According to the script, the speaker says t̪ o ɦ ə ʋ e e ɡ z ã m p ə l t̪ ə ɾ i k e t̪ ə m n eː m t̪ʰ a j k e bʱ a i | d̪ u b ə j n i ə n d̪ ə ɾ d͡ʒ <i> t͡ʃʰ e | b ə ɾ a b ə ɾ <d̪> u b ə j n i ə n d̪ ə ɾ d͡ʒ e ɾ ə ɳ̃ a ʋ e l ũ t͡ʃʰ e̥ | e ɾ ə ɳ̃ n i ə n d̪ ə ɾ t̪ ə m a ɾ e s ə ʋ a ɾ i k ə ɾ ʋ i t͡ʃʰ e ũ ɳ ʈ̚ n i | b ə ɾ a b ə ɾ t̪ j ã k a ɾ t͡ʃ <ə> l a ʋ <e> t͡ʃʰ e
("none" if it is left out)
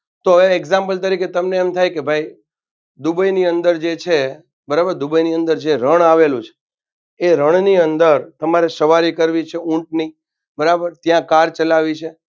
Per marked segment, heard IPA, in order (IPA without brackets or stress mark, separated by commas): e, d̪, ə, i